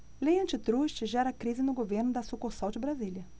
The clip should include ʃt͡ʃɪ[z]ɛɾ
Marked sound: incorrect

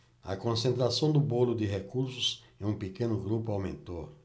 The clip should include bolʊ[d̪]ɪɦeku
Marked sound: correct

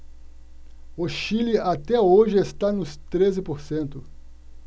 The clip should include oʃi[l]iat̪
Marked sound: correct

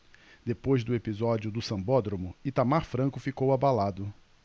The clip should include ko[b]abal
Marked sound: incorrect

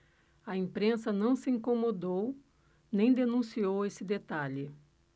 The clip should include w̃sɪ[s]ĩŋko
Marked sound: incorrect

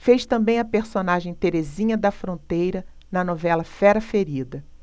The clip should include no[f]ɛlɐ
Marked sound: incorrect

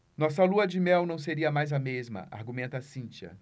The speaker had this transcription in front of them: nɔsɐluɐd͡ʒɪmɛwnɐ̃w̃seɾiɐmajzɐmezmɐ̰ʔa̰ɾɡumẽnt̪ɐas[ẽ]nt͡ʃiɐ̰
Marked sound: incorrect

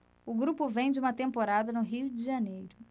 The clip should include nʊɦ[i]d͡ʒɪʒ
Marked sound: correct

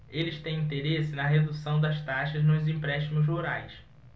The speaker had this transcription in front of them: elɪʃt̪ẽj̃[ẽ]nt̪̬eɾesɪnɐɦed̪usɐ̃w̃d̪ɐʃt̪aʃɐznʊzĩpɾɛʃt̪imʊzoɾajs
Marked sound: incorrect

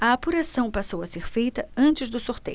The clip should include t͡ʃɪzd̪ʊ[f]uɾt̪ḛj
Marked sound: incorrect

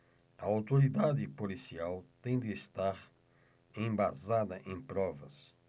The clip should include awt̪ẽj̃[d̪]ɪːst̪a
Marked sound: correct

